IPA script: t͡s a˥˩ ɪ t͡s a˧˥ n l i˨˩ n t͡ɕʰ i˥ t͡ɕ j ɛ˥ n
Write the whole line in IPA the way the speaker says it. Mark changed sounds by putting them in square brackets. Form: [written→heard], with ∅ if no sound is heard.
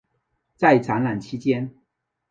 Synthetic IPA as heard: t͡s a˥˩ ɪ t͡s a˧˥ n l [i˨˩→a˨˩] n t͡ɕʰ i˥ t͡ɕ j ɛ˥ n